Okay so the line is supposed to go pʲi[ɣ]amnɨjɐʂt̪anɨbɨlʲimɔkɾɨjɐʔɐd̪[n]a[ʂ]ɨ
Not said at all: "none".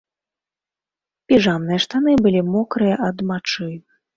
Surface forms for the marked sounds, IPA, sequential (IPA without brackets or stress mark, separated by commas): ʐ, m, t͡ʂ